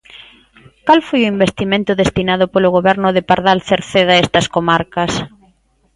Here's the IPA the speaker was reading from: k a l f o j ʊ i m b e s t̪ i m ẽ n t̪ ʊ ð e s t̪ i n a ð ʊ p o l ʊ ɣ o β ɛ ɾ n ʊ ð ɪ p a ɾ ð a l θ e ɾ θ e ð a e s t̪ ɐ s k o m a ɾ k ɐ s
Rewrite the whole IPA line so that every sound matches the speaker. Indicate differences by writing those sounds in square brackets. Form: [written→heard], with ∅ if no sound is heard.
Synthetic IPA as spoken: k a l f o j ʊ i m b e s t̪ i m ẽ n t̪ ʊ ð e s t̪ i n a ð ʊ p o l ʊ ɣ o β ɛ ɾ n ʊ ð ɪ p a ɾ ð a l θ e ɾ θ e ð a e s t̪ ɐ s k o m a ɾ k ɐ s